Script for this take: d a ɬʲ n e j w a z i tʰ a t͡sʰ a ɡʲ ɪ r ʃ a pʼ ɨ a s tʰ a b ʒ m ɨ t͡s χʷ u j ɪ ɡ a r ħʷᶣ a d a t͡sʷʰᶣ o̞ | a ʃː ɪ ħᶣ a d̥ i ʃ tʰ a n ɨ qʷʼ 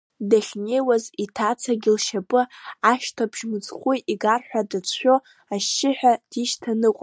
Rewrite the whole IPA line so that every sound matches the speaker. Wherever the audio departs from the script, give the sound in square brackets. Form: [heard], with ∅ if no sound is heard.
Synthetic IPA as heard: d a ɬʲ n e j w a z i tʰ a t͡sʰ a ɡʲ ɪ [l] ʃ a pʼ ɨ a [ʃ] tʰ a b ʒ m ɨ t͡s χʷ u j [i] ɡ a r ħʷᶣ a d a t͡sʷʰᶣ o̞ | a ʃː ɪ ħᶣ a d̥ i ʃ tʰ a n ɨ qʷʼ